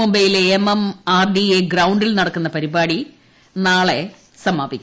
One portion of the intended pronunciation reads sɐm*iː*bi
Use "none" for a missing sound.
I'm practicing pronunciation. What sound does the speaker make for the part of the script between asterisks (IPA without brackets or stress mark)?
aː